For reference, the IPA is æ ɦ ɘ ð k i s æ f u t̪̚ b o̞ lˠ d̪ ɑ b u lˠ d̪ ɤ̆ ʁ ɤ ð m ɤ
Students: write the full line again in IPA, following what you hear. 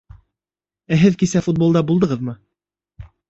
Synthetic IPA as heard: æ ɦ ɘ ð k i s æ f u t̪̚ b o̞ lˠ d̪ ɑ b u lˠ d̪ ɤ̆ ʁ ɤ ð m ɤ